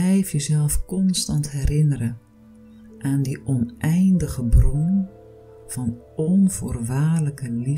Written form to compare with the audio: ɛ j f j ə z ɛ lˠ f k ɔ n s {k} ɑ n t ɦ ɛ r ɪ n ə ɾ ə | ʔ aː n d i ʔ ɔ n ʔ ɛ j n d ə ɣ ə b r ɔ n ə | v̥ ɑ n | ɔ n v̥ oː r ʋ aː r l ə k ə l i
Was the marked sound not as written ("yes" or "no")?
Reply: yes